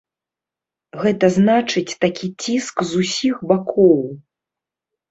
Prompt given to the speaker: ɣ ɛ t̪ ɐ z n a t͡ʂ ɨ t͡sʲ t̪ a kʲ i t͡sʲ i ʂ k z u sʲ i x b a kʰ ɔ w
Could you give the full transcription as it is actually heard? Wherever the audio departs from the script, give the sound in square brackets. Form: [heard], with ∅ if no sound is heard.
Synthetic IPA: ɣ ɛ t̪ ɐ z n a t͡ʂ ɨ t͡sʲ t̪ a kʲ i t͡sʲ i [s] k z u sʲ i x b a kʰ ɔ w